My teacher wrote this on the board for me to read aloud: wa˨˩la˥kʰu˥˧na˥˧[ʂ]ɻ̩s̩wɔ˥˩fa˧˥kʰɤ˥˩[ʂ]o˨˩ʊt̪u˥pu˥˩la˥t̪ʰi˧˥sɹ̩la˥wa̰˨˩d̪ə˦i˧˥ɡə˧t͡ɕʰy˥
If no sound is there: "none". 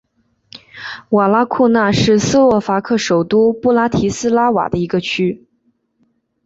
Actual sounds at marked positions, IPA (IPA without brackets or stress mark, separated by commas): ʂ, ʂ